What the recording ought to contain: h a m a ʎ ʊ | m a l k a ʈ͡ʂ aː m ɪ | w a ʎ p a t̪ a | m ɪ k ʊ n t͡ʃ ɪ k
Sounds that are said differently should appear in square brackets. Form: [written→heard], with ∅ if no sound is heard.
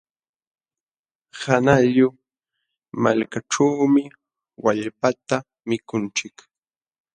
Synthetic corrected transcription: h a [m→n] a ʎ ʊ | m a l k a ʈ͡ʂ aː m ɪ | w a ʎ p a t̪ a | m ɪ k ʊ n t͡ʃ ɪ k

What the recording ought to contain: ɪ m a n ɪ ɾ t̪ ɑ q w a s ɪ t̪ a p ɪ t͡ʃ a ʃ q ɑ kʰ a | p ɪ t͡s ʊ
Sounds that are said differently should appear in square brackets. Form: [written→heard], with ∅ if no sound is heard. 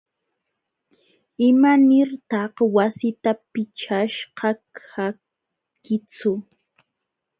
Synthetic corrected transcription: ɪ m a n ɪ ɾ t̪ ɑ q w a s ɪ t̪ a p ɪ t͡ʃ a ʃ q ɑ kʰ a | [p→k] ɪ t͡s ʊ

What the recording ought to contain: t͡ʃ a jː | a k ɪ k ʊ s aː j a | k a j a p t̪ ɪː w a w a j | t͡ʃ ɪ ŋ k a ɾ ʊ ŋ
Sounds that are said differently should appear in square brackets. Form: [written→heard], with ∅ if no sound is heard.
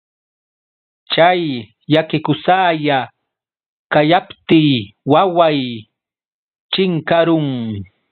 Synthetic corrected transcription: t͡ʃ a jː | a k ɪ k ʊ s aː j a | k a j a p t̪ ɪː w a w a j | t͡ʃ ɪ ŋ k a ɾ ʊ ŋ

